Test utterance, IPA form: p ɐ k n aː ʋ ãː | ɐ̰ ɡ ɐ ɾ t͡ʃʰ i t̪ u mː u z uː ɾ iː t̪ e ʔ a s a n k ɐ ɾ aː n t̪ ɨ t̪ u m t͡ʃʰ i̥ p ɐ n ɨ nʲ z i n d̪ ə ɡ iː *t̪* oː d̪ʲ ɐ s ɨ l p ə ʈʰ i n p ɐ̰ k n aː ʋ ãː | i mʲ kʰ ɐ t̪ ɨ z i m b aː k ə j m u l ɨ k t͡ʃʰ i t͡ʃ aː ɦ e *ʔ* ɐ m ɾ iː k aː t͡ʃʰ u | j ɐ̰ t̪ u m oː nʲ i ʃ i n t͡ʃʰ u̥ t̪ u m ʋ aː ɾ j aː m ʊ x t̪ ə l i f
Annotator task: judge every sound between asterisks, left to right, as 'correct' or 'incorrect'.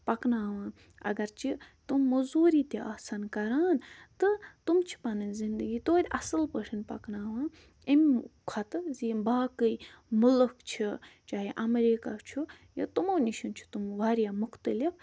correct, correct

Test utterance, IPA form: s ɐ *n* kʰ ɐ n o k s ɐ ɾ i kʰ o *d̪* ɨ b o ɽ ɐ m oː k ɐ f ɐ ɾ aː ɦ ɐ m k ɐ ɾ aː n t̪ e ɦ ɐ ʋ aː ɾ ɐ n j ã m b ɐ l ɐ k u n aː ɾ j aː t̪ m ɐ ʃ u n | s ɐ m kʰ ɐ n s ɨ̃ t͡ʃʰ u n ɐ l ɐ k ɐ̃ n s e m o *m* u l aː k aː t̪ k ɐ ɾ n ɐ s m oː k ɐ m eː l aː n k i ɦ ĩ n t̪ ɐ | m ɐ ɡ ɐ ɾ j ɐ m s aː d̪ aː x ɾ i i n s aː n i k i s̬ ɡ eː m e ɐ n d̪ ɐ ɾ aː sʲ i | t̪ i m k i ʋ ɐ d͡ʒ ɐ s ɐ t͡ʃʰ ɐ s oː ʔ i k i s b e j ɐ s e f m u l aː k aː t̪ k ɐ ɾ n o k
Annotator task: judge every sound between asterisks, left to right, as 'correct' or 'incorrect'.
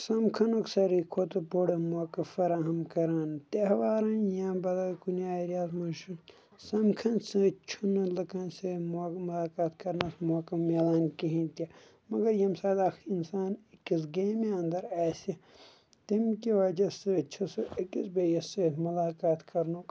incorrect, incorrect, correct

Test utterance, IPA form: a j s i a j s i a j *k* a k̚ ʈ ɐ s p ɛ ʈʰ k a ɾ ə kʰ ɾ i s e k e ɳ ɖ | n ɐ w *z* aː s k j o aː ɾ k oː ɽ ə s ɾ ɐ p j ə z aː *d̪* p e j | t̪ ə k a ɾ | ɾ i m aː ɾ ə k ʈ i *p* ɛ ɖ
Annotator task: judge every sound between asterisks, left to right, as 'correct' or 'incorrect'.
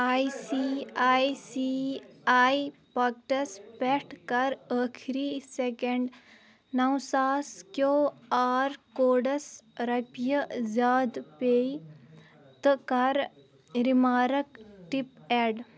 incorrect, incorrect, correct, correct

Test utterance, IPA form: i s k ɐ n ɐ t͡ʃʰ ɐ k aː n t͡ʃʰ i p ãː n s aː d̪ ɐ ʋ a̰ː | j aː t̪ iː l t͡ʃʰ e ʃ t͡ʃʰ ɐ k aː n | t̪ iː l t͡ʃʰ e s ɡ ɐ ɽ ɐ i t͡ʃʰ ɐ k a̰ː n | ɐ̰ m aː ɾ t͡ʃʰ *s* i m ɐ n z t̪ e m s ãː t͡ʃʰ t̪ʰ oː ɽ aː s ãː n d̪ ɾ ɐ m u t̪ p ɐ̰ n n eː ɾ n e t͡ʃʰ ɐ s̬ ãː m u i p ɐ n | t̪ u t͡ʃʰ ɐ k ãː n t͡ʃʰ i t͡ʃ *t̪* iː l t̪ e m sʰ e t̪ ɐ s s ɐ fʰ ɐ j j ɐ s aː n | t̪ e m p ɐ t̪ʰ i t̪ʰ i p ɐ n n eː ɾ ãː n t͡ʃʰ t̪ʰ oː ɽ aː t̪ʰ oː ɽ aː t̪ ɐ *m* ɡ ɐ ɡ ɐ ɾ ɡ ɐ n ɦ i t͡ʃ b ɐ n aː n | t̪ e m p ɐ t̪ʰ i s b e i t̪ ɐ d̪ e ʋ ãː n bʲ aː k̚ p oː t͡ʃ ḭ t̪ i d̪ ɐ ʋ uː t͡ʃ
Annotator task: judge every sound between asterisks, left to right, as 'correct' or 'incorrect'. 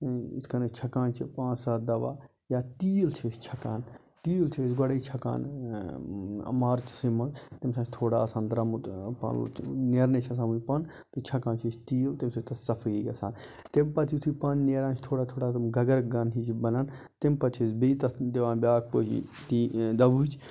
correct, correct, correct

